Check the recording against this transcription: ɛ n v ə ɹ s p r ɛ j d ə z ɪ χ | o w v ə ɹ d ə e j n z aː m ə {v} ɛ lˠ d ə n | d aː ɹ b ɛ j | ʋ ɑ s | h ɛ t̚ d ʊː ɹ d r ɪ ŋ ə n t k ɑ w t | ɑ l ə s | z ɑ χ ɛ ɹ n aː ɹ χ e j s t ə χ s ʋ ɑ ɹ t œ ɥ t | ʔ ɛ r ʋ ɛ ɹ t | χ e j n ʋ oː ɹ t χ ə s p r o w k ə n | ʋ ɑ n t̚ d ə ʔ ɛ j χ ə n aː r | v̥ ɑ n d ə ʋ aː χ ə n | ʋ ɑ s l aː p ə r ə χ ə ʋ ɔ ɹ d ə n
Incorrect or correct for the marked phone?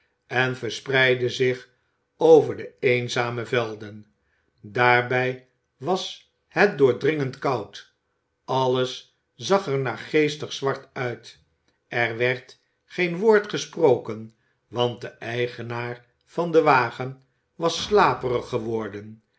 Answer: correct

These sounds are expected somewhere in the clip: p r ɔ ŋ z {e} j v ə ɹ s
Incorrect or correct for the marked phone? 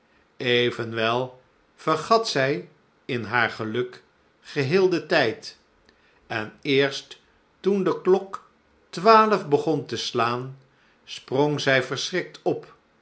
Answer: incorrect: ɛ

